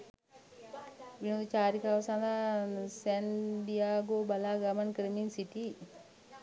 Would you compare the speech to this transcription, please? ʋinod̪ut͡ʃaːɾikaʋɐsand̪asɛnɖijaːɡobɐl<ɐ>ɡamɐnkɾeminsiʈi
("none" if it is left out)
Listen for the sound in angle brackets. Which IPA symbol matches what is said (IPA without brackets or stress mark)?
a